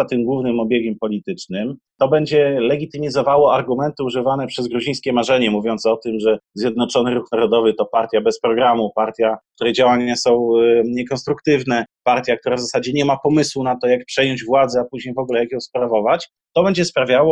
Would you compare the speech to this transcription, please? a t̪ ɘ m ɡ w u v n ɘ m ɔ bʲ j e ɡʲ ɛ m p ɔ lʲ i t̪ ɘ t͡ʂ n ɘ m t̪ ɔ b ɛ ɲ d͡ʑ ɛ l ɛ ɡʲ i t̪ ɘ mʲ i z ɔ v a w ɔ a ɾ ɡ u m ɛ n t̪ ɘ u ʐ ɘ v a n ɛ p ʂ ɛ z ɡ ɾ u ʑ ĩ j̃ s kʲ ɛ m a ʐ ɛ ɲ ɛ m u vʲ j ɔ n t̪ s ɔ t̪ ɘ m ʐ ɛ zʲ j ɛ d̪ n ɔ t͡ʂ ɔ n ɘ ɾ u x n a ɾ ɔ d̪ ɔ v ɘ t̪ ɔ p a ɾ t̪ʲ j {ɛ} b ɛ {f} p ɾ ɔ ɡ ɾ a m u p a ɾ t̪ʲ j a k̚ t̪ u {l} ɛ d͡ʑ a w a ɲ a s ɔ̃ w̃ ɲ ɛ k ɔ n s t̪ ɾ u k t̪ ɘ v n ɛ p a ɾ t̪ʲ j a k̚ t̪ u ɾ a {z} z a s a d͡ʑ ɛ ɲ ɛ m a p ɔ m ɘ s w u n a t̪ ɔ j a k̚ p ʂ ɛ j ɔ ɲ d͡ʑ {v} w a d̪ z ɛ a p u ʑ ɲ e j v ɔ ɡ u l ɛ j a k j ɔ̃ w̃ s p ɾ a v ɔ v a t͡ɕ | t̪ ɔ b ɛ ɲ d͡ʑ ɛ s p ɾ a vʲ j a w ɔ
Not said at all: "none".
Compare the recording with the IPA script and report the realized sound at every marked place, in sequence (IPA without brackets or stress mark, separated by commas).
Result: a, s, ɾ, v, v